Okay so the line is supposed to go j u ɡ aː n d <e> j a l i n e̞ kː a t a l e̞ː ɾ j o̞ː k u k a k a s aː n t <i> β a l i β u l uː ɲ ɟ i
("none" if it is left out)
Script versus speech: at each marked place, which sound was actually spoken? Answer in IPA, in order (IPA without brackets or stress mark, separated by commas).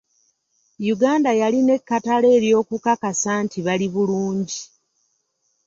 a, i